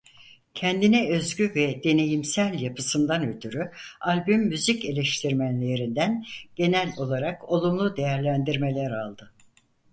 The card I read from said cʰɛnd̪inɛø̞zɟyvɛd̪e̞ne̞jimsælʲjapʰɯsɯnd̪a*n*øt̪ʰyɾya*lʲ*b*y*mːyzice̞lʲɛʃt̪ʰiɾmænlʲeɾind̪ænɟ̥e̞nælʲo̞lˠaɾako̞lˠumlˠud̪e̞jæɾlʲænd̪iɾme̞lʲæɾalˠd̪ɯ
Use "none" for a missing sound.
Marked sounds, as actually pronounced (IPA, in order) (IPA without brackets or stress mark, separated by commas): n, lʲ, y